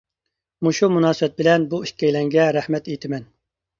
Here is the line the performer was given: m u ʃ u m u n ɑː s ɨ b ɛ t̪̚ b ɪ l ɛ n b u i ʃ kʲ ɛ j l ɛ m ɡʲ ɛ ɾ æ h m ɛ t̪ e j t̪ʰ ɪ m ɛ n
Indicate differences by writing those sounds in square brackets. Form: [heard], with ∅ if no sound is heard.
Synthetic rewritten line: m u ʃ u m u n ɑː s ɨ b ɛ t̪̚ b ɪ l ɛ n b u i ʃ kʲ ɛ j l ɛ [ŋ] ɡʲ ɛ ɾ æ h m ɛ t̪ e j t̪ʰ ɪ m ɛ n